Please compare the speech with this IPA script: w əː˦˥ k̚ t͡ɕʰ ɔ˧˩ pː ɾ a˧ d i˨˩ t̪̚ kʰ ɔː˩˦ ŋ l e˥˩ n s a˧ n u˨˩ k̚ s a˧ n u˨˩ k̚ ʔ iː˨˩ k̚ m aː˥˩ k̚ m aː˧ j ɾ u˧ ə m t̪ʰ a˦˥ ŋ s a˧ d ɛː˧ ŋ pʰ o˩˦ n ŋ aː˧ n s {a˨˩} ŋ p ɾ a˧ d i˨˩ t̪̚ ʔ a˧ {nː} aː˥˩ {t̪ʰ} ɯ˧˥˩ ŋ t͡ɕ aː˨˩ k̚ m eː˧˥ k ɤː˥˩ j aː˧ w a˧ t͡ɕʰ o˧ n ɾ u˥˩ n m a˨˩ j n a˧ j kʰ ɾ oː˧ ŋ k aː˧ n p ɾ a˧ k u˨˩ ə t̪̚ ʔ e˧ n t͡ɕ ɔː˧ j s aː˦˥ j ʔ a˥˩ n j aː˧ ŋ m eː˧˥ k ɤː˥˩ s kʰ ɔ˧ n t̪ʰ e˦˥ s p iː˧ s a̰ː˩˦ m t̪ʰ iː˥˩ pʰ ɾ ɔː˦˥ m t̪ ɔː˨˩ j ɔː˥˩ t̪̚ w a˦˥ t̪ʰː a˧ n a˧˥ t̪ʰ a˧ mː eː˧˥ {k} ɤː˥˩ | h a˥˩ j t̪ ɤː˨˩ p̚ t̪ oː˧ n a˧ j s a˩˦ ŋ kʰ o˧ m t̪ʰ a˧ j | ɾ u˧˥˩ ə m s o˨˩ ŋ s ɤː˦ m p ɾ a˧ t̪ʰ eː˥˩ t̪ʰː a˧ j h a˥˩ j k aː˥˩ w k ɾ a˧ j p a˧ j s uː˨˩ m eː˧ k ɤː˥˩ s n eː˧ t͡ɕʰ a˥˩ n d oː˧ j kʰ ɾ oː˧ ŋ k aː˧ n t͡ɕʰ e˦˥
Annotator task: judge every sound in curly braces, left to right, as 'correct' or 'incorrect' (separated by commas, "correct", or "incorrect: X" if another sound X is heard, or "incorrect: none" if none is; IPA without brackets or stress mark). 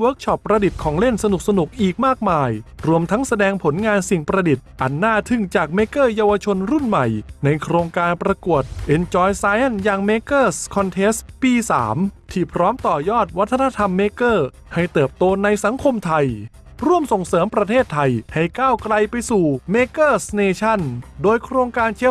incorrect: i˨˩, correct, correct, correct